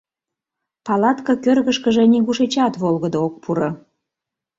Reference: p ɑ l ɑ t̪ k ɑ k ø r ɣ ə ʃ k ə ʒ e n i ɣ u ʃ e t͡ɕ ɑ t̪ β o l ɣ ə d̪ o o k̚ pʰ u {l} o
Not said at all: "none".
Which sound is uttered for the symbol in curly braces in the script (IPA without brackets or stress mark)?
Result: ɾ